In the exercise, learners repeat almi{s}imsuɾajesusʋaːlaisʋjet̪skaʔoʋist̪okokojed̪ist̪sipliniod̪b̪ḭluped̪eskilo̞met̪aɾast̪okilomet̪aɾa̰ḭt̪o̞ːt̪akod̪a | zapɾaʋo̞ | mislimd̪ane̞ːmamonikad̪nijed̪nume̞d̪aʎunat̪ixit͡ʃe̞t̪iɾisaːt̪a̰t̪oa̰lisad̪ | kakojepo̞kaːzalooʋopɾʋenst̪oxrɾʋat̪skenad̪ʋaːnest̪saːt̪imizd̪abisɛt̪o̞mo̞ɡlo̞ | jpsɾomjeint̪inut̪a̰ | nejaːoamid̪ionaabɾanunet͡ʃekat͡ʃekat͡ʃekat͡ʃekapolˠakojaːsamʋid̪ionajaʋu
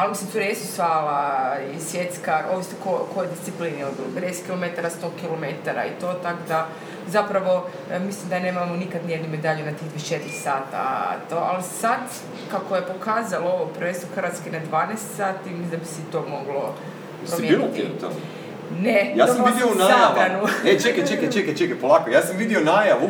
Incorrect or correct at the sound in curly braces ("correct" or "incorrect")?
correct